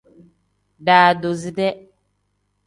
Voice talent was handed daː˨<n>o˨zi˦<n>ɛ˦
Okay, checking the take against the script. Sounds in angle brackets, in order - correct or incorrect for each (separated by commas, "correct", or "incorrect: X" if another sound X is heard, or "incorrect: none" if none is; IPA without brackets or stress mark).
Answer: incorrect: d, incorrect: d